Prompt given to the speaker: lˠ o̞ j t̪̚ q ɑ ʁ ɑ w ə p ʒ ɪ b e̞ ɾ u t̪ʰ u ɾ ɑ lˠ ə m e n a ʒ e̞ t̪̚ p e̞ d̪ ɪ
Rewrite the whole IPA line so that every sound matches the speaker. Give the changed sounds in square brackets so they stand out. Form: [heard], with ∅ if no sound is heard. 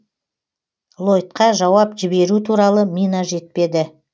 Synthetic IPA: lˠ o̞ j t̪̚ q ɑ [ʒ] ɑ w [ɑ] p ʒ ɪ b e̞ ɾ u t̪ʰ u ɾ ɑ lˠ ə m [i] n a ʒ e̞ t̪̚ p e̞ d̪ ɪ